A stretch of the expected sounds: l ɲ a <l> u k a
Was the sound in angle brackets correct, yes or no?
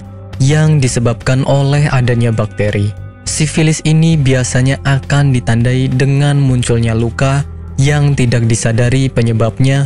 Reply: yes